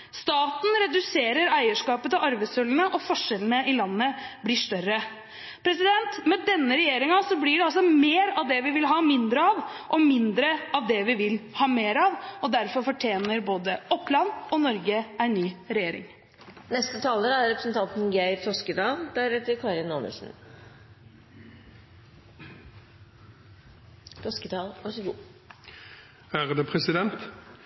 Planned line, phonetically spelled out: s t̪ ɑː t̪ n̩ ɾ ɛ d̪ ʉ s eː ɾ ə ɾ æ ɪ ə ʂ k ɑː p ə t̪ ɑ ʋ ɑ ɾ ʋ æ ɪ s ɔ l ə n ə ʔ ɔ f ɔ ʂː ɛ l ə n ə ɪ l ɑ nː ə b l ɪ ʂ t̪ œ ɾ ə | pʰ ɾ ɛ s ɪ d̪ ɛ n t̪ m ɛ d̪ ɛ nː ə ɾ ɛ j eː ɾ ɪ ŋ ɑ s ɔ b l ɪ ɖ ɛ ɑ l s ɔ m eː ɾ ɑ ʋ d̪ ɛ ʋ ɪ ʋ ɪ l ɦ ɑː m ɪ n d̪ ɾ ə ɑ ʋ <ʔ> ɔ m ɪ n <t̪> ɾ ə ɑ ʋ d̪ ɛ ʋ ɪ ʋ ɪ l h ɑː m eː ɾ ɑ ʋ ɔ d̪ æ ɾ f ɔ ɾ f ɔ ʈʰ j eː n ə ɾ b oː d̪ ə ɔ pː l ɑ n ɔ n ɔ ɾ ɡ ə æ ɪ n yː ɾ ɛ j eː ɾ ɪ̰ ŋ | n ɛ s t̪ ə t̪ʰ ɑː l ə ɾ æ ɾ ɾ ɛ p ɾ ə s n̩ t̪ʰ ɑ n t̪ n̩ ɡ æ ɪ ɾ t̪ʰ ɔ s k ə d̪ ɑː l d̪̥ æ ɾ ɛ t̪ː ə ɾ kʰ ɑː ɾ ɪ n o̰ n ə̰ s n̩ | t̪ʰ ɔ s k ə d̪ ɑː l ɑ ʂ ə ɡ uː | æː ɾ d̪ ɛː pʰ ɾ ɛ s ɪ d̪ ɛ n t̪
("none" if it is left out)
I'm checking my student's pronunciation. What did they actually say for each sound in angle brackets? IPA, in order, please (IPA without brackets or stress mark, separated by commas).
ʔ, d̪